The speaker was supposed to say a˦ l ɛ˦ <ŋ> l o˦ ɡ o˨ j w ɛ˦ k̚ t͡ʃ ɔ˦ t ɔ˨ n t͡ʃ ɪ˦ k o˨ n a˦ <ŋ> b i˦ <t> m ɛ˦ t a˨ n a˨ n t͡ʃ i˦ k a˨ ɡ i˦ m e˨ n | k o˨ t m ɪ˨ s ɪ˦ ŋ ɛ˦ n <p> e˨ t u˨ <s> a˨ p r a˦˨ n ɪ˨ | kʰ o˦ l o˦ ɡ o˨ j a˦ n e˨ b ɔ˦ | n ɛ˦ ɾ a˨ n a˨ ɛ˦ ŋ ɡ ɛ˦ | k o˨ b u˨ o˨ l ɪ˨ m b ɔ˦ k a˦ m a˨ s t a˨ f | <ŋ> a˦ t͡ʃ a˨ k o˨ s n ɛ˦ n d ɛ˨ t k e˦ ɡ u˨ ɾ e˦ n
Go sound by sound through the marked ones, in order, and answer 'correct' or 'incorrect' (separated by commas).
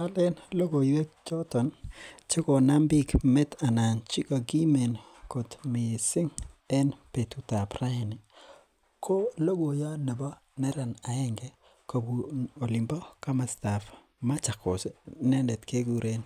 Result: incorrect, incorrect, incorrect, correct, incorrect, incorrect